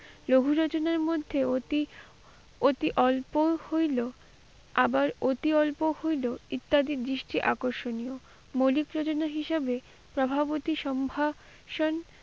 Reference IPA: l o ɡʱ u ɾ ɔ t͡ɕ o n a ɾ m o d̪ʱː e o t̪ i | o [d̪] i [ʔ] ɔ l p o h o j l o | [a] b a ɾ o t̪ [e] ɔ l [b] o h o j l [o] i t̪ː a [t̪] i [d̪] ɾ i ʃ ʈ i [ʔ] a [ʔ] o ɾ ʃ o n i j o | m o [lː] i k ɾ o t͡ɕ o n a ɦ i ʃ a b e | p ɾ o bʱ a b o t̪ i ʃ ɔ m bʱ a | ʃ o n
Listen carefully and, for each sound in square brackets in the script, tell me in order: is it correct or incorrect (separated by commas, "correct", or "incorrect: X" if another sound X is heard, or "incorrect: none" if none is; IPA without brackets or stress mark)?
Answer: incorrect: t̪, correct, correct, incorrect: i, incorrect: p, correct, incorrect: d̪, correct, correct, incorrect: k, incorrect: l